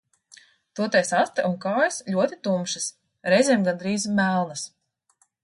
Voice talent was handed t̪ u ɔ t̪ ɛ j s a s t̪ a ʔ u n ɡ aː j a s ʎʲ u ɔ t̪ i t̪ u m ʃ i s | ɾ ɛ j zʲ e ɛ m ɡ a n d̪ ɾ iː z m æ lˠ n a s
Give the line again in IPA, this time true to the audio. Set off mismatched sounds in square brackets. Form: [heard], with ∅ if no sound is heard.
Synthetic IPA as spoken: t̪ u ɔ t̪ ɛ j s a s t̪ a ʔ u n [k] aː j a s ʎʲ u ɔ t̪ i t̪ u m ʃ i s | ɾ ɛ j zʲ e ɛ m ɡ a n d̪ ɾ iː z m æ lˠ n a s